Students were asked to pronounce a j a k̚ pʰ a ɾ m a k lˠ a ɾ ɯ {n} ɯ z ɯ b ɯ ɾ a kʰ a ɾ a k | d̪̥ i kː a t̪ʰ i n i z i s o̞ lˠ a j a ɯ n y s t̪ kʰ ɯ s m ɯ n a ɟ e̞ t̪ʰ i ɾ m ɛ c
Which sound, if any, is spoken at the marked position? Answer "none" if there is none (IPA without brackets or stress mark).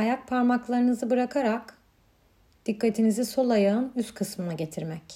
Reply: n